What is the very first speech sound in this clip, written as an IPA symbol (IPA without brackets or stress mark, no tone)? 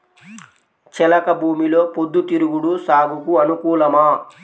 t͡ʃ